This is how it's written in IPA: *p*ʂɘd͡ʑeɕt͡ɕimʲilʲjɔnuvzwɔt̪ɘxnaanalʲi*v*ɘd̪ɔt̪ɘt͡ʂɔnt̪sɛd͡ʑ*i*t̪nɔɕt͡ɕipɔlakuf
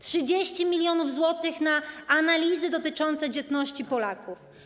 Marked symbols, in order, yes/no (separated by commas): no, no, no